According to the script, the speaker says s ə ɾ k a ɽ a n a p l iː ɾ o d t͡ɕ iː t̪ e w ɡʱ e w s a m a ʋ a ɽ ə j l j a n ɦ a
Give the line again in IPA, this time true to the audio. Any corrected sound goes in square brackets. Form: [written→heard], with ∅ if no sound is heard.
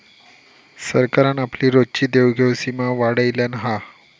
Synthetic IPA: s ə ɾ k a [ɽ→ɾ] a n a p l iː ɾ o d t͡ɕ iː [t̪→d̪] e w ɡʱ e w s [a→i] m a ʋ a ɽ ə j l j a n ɦ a